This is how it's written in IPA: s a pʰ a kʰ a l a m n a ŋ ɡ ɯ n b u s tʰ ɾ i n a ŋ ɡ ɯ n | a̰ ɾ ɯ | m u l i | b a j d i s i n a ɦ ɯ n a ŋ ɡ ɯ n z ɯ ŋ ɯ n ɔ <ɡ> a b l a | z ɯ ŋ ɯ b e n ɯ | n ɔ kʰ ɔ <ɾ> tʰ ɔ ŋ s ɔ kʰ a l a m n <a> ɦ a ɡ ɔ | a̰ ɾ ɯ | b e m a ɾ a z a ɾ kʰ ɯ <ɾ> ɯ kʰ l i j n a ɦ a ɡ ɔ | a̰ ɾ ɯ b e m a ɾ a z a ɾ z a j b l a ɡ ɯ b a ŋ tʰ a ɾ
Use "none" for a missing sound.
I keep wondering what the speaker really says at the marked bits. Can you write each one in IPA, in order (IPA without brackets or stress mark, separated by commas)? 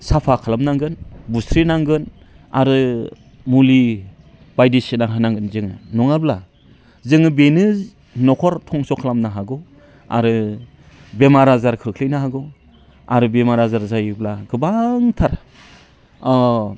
ŋ, ɾ, a, ɾ